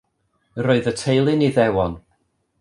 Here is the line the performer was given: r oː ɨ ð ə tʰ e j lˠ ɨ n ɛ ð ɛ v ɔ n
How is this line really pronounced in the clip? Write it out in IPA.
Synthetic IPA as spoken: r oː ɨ ð ə tʰ e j lˠ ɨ n i ð ɛ w ɔ n